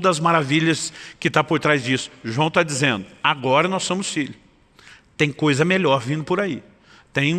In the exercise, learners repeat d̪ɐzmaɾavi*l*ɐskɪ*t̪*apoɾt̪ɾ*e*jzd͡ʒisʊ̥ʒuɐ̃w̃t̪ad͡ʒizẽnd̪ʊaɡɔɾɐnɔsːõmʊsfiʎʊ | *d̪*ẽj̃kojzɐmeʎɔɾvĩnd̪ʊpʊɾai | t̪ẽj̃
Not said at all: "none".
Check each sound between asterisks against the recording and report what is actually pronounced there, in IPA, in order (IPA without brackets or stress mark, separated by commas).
ʎ, t̪, a, t̪